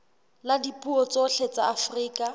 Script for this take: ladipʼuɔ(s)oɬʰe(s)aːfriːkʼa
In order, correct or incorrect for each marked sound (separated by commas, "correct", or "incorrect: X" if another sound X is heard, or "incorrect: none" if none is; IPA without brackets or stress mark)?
incorrect: t͡s, incorrect: t͡s